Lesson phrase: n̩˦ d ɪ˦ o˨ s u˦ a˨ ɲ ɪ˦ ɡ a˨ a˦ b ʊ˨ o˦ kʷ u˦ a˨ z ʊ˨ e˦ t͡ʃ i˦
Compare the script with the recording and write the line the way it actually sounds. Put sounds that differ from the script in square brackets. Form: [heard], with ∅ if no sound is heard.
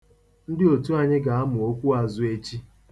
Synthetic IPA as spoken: n̩˦ d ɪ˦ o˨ [t] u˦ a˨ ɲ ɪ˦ ɡ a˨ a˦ [m] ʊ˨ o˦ kʷ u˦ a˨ z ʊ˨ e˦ t͡ʃ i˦